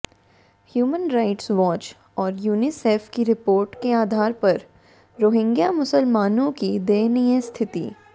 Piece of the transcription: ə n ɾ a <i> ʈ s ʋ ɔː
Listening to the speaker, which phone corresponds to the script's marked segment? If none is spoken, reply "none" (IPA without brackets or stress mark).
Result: ɪ